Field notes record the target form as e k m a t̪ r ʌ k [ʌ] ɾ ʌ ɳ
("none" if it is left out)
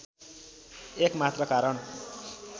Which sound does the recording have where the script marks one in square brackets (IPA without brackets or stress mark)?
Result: a